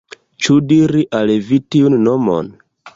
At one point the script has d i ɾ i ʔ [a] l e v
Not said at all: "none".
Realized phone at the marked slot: a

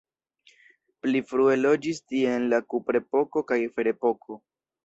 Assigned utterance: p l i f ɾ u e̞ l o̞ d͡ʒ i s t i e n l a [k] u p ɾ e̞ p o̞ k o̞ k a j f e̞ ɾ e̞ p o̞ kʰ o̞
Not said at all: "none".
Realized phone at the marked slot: k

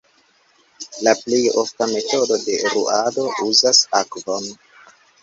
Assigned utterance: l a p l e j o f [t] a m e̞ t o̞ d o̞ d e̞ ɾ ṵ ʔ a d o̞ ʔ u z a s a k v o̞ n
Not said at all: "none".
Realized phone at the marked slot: t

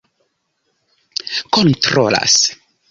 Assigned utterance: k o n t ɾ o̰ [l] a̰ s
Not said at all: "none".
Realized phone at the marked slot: l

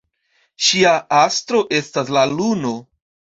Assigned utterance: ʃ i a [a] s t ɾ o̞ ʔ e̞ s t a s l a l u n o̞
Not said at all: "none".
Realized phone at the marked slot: a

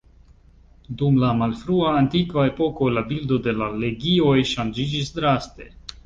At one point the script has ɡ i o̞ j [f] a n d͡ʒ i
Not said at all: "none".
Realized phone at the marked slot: ʃ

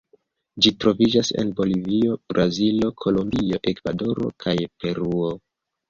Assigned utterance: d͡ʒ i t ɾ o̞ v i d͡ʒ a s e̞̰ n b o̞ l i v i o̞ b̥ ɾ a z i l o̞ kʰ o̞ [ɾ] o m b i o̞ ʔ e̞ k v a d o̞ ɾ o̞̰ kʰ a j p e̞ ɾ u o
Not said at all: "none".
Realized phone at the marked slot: l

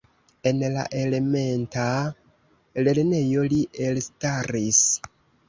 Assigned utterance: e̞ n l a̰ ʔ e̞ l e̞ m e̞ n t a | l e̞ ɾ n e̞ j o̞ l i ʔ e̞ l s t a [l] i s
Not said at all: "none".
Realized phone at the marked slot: ɾ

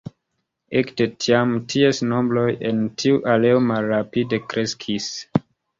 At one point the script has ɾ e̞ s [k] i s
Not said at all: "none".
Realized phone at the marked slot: kʰ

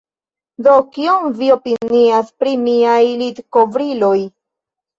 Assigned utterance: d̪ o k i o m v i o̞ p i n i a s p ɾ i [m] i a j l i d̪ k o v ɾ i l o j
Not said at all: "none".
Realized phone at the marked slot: m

